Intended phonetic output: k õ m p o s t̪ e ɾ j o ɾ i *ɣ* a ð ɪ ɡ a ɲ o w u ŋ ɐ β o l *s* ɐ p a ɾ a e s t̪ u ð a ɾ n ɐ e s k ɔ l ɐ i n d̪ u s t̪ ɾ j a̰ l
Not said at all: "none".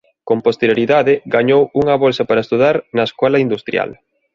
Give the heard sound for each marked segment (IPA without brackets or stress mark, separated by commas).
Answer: ð, s